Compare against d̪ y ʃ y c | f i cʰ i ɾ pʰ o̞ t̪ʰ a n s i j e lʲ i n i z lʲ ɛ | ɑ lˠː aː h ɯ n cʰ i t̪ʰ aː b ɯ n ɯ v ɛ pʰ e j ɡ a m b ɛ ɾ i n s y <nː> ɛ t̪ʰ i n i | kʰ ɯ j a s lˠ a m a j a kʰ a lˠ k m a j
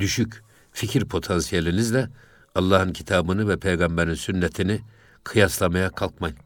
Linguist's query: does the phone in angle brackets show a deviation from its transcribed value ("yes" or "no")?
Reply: no